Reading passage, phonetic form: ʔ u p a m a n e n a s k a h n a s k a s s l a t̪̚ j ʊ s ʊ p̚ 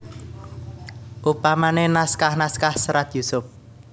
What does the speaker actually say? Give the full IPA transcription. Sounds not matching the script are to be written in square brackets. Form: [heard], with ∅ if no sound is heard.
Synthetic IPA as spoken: ʔ u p a m a n e n a s k a h n a s k a [h] s [ɾ] a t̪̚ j [u] s ʊ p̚

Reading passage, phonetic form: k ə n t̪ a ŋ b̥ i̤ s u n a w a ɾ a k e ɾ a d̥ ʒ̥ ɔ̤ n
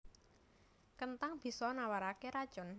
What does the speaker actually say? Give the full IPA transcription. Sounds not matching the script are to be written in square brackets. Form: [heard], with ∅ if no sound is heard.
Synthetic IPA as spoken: k ə n t̪ a ŋ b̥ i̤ s [ɔ] n a w a ɾ a k e ɾ a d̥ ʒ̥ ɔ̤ n

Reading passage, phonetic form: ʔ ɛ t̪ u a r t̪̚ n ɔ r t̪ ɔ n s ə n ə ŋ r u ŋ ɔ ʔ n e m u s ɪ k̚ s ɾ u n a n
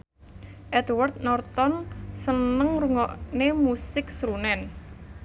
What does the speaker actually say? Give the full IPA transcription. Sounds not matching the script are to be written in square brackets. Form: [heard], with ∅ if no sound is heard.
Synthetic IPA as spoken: ʔ ɛ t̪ [w] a r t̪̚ n ɔ r t̪ ɔ n s ə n ə ŋ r u ŋ ɔ ʔ n e m u s ɪ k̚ s ɾ u n [ɛ] n

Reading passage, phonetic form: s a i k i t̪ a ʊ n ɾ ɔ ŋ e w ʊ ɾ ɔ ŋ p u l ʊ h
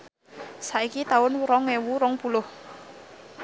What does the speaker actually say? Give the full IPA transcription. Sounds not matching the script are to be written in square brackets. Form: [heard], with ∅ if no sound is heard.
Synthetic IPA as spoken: s a i k i t̪ a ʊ n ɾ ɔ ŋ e w [u] ɾ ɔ ŋ p u l ʊ h

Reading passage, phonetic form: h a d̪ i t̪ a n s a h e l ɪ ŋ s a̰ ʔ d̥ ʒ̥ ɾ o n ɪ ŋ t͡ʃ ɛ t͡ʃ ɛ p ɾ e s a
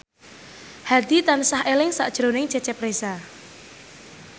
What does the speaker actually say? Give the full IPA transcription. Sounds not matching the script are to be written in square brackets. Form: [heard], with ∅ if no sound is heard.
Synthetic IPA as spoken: h a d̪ i t̪ a n s a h e l ɪ ŋ s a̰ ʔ d̥ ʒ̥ ɾ o n ɪ ŋ t͡ʃ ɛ t͡ʃ ɛ p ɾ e s a

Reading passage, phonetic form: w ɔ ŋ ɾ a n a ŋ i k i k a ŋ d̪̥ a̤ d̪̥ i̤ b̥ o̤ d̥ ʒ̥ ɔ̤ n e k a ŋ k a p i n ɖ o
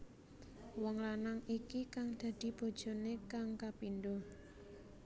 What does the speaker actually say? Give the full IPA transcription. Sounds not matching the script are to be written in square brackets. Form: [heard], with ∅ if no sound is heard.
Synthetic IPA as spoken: w ɔ ŋ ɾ a n a ŋ i k i k a ŋ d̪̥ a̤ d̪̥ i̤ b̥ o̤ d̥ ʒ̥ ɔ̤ n e k a ŋ k a p i n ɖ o

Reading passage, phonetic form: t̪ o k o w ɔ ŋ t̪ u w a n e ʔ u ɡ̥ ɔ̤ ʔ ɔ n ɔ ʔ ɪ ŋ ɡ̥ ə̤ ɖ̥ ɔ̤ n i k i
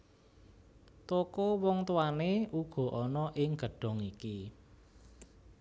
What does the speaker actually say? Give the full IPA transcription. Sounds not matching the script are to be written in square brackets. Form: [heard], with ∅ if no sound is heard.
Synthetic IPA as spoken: t̪ o k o w ɔ ŋ t̪ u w a n e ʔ u ɡ̥ ɔ̤ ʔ ɔ n ɔ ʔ ɪ ŋ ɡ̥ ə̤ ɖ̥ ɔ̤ [ŋ] i k i

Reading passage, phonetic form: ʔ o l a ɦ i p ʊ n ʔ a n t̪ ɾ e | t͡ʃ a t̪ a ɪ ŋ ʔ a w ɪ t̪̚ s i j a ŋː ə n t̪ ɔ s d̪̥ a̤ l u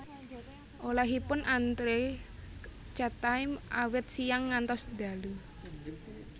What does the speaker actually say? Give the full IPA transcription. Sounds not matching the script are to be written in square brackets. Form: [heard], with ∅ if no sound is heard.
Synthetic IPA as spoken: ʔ o l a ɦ i p ʊ n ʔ a n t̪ ɾ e | t͡ʃ a t̪ a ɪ [m] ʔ a w ɪ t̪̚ s i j a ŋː [a] n t̪ ɔ s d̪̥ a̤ l u

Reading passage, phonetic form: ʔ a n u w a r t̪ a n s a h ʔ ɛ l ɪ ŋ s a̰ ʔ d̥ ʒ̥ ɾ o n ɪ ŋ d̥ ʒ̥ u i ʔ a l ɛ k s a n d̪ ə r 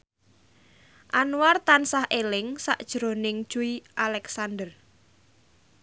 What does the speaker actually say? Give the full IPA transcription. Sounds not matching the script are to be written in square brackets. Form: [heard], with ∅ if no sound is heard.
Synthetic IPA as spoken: ʔ a n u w a r t̪ a n s a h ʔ [e] l ɪ ŋ s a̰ ʔ d̥ ʒ̥ ɾ o n ɪ ŋ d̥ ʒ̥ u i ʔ a l ɛ k s a n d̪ ə r

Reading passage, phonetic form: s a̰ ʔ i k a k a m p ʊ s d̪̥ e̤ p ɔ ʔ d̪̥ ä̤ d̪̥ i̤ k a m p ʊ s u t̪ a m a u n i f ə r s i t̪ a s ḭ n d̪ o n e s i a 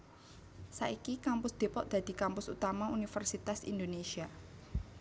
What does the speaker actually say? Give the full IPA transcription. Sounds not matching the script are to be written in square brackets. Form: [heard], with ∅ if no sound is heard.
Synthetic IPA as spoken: s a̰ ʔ i k [i] k a m p ʊ s d̪̥ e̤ p ɔ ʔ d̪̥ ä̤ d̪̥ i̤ k a m p ʊ s u t̪ a m a u n i f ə r s i t̪ a s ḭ n d̪ o n e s i a

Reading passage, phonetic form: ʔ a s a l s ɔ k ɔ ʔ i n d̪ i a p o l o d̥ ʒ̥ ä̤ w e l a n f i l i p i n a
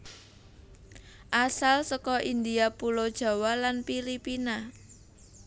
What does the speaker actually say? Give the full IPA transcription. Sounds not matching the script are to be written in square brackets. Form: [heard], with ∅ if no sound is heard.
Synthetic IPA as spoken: ʔ a s a l s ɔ k ɔ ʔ i n d̪ i a p [u] l o d̥ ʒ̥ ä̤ w [a] l a n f i l i p i n a

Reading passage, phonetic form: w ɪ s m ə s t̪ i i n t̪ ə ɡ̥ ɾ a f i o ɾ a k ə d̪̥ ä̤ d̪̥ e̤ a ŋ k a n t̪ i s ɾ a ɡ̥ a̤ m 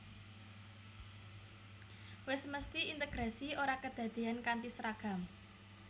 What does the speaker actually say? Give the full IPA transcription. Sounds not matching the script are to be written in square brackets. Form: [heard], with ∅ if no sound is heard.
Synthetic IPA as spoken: w ɪ s m ə s t̪ i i n t̪ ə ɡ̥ ɾ a [s] i o ɾ a k ə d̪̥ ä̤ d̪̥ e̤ a [n] k a n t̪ i s ɾ a ɡ̥ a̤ m

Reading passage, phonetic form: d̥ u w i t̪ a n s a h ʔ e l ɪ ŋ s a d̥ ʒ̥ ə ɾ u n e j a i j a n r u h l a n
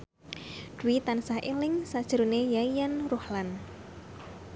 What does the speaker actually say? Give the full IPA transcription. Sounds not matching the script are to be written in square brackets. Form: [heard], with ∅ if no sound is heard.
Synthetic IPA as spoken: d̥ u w i t̪ a n s a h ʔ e l ɪ ŋ s a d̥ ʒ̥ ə ɾ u n e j a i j a n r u h l a n

